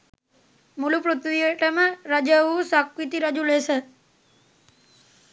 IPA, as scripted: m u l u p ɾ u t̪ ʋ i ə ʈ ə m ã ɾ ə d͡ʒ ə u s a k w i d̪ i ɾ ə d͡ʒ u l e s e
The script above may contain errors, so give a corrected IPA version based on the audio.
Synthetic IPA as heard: m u l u p ɾ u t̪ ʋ i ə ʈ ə m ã ɾ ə d͡ʒ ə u s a k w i t̪ i ɾ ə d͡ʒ u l e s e